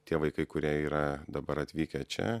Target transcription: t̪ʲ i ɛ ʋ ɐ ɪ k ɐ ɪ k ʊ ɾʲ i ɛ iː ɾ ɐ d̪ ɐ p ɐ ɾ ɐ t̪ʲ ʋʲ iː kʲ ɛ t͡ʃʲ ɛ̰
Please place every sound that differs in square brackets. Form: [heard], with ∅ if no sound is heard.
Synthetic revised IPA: t̪ʲ i ɛ ʋ ɐ ɪ k ɐ ɪ k ʊ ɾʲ i ɛ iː ɾ ɐ d̪ ɐ [b] ɐ ɾ ɐ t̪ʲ ʋʲ iː kʲ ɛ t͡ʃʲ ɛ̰

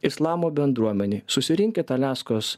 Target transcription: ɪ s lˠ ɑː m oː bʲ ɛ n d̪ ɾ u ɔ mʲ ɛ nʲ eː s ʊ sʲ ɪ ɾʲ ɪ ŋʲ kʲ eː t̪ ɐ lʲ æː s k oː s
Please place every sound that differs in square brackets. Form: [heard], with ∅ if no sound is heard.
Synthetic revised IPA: ɪ s lˠ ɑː m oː bʲ ɛ n d̪ ɾ u ɔ mʲ ɛ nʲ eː s ʊ sʲ ɪ ɾʲ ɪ ŋʲ kʲ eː t̪ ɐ lʲ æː s k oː s

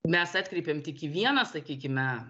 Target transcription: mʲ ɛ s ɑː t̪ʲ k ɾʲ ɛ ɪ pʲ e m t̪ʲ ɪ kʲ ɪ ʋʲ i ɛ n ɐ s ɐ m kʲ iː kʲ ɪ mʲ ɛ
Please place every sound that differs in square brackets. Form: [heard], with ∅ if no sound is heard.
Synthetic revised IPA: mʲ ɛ s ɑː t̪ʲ k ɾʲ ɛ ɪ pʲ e m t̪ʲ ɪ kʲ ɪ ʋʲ i ɛ n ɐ s ɐ [∅] kʲ iː kʲ ɪ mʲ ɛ

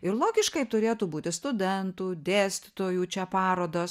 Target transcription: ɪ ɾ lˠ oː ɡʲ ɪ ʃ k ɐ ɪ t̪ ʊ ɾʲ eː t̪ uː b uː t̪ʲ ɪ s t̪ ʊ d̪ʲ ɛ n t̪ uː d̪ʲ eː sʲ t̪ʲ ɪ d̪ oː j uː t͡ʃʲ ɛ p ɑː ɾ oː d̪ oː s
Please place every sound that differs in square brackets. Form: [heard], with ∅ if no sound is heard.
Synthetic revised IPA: ɪ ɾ lˠ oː ɡʲ ɪ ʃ k ɐ ɪ t̪ ʊ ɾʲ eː t̪ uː b uː t̪ʲ ɪ s t̪ ʊ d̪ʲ ɛ n t̪ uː d̪ʲ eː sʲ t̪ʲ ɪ [t̪] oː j uː t͡ʃʲ ɛ p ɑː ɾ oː d̪ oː s

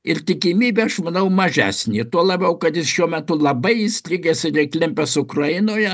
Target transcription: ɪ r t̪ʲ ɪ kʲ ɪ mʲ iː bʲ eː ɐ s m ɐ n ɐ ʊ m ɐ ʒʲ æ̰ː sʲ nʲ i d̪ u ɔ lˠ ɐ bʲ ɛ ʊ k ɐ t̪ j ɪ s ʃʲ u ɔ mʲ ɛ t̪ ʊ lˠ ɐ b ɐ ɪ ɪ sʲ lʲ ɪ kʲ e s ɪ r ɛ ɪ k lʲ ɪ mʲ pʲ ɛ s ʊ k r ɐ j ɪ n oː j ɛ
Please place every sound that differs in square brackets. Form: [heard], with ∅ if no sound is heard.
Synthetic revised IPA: ɪ r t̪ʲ ɪ kʲ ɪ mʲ iː bʲ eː ɐ [ʃ] m ɐ n ɐ ʊ m ɐ ʒʲ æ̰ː sʲ nʲ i [t̪] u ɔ lˠ ɐ bʲ ɛ ʊ k ɐ t̪ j ɪ s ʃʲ u ɔ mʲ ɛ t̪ ʊ lˠ ɐ b ɐ ɪ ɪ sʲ lʲ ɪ [ɡʲ] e s ɪ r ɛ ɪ k lʲ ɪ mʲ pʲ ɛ s ʊ k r ɐ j ɪ n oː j ɛ

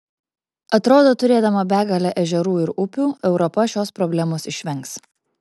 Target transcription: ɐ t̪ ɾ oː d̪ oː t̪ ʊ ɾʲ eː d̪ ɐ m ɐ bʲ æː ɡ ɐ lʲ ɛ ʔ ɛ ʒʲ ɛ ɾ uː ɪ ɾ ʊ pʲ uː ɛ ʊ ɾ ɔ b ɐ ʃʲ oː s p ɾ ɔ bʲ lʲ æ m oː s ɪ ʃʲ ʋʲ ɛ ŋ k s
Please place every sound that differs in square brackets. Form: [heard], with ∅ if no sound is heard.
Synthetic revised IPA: ɐ t̪ ɾ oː d̪ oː t̪ ʊ ɾʲ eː d̪ ɐ m ɐ bʲ æː ɡ ɐ lʲ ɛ ʔ ɛ ʒʲ ɛ ɾ uː ɪ ɾ ʊ pʲ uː ɛ ʊ ɾ ɔ [p] ɐ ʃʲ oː s p ɾ ɔ bʲ lʲ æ m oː s ɪ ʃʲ ʋʲ ɛ ŋ k s

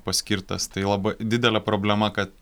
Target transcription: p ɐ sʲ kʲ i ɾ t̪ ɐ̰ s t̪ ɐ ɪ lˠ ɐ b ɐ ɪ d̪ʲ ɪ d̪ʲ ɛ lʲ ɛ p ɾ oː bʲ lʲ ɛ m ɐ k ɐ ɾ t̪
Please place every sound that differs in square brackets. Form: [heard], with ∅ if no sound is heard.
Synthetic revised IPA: p ɐ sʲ kʲ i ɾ t̪ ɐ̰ s t̪ ɐ ɪ lˠ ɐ b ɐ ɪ d̪ʲ ɪ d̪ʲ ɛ lʲ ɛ p ɾ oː bʲ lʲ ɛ m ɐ k ɐ [∅] t̪

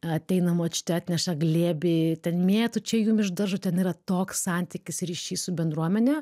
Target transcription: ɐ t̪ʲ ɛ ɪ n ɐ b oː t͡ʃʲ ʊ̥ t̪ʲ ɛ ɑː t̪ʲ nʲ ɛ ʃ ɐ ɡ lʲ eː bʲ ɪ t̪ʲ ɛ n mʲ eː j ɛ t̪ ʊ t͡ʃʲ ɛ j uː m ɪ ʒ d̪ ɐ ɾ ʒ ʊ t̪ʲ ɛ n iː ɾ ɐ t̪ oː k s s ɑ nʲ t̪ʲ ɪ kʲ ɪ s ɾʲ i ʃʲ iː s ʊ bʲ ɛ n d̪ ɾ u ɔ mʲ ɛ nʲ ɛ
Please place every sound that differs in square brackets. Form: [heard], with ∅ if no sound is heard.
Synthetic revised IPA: ɐ t̪ʲ ɛ ɪ n ɐ [m] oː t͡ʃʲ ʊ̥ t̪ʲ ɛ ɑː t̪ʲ nʲ ɛ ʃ ɐ ɡ lʲ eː bʲ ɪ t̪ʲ ɛ n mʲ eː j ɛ t̪ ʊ t͡ʃʲ ɛ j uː m ɪ ʒ d̪ ɐ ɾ ʒ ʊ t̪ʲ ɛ n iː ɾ ɐ t̪ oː k s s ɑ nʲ t̪ʲ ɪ kʲ ɪ s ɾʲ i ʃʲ iː s ʊ bʲ ɛ n d̪ ɾ u ɔ mʲ ɛ nʲ ɛ

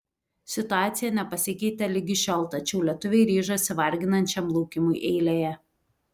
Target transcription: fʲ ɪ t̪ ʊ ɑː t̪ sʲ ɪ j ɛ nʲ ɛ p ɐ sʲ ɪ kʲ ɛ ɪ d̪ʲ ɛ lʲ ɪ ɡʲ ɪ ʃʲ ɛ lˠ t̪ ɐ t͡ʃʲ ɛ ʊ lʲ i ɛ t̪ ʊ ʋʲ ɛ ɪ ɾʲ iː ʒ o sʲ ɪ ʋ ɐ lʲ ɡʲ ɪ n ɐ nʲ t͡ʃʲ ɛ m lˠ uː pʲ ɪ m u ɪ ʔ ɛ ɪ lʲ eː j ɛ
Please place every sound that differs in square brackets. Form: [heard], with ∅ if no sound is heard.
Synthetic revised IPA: [sʲ] ɪ t̪ ʊ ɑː t̪ sʲ ɪ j ɛ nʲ ɛ p ɐ sʲ ɪ kʲ ɛ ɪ [t̪ʲ] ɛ lʲ ɪ ɡʲ ɪ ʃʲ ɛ lˠ t̪ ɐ t͡ʃʲ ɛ ʊ lʲ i ɛ t̪ ʊ ʋʲ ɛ ɪ ɾʲ iː ʒ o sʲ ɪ ʋ ɐ [ɾʲ] ɡʲ ɪ n ɐ nʲ t͡ʃʲ ɛ m lˠ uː [kʲ] ɪ m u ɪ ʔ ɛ ɪ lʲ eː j ɛ

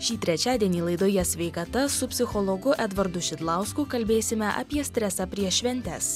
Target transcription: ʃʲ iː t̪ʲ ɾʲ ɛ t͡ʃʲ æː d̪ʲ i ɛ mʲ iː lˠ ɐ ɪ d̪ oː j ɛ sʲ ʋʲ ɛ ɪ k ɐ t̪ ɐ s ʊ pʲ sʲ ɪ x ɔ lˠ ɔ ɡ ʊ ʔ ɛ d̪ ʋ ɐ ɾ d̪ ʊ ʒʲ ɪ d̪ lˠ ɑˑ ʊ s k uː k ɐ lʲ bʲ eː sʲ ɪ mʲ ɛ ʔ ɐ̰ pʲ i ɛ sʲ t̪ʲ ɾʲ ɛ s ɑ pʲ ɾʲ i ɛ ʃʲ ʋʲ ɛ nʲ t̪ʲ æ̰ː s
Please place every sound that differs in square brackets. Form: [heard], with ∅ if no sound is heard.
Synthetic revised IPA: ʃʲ iː t̪ʲ ɾʲ ɛ t͡ʃʲ æː d̪ʲ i ɛ [nʲ] iː lˠ ɐ ɪ d̪ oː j ɛ sʲ ʋʲ ɛ ɪ k ɐ t̪ ɐ s ʊ pʲ sʲ ɪ x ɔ lˠ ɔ ɡ ʊ ʔ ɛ d̪ ʋ ɐ ɾ d̪ ʊ [ʃʲ] ɪ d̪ lˠ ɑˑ ʊ s k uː k ɐ lʲ bʲ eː sʲ ɪ mʲ ɛ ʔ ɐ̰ pʲ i ɛ sʲ t̪ʲ ɾʲ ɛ s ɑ pʲ ɾʲ i ɛ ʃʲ ʋʲ ɛ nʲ t̪ʲ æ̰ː s

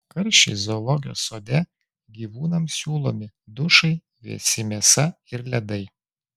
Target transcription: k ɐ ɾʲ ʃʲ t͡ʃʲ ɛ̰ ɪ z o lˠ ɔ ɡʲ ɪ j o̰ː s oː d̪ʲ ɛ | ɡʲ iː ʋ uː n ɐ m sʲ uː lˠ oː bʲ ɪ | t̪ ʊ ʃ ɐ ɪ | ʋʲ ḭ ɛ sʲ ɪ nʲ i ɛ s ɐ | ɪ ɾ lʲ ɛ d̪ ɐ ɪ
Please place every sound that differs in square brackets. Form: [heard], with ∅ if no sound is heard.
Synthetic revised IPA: k ɐ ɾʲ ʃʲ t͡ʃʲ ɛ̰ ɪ z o lˠ ɔ ɡʲ ɪ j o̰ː s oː d̪ʲ ɛ | ɡʲ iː ʋ uː n ɐ m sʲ uː lˠ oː [mʲ] ɪ | [d̪] ʊ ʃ ɐ ɪ | ʋʲ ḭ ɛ sʲ ɪ [mʲ] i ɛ s ɐ | ɪ ɾ lʲ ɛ d̪ ɐ ɪ

